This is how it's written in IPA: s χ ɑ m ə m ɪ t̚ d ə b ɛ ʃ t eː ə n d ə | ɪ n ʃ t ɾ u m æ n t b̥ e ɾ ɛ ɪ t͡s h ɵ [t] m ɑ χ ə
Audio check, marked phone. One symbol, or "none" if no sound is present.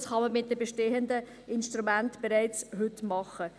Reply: t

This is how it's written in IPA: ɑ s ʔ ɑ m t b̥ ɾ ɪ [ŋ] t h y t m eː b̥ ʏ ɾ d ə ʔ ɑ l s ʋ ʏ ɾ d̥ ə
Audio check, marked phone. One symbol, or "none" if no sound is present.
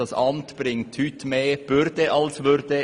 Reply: ŋ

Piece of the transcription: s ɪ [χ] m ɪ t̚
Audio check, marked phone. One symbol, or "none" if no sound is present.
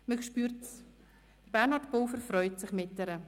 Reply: χ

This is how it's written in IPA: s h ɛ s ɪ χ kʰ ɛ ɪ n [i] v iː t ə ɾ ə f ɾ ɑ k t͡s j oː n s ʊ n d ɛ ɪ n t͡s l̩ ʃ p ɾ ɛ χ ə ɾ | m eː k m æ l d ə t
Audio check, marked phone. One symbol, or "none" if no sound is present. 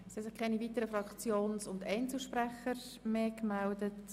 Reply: i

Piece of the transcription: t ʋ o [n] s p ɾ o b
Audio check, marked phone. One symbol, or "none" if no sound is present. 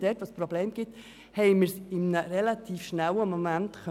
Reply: none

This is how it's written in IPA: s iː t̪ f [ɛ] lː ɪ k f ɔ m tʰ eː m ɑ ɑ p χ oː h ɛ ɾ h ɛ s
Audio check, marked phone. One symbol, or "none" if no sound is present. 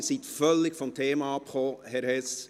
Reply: œ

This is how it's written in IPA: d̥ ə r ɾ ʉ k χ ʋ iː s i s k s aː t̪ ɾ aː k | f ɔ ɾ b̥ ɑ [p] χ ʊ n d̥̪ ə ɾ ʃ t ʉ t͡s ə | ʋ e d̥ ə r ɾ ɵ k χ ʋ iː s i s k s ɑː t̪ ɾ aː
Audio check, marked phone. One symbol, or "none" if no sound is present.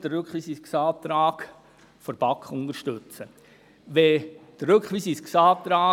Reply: k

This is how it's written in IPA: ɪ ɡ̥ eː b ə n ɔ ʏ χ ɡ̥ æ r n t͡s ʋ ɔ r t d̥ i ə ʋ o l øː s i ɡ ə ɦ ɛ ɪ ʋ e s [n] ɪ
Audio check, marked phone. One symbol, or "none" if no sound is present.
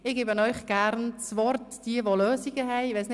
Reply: n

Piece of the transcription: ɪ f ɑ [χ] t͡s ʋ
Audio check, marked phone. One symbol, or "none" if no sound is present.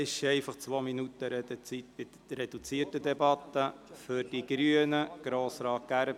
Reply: χ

